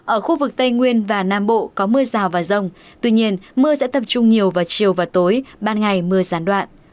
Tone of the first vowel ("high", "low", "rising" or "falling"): falling